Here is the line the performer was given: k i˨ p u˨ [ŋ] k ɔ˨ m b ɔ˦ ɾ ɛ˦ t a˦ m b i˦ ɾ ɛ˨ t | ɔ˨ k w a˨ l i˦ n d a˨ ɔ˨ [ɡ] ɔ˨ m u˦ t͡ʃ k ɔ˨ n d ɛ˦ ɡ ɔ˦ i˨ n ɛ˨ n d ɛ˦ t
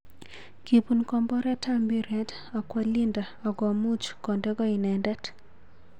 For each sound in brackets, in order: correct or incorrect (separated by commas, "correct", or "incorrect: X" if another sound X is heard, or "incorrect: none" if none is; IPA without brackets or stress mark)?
incorrect: n, correct